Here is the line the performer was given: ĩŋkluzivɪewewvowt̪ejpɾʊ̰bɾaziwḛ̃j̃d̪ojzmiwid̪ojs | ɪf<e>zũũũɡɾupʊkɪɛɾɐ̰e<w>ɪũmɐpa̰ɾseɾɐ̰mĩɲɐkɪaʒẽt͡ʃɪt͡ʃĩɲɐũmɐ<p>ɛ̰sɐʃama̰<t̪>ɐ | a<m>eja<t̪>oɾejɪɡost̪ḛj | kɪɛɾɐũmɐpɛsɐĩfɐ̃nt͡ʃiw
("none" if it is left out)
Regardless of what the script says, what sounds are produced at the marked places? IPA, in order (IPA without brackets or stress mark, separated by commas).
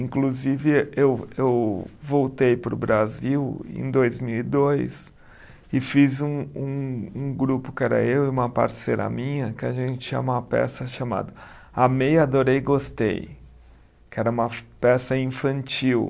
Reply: i, w, p, d̪, m, d̪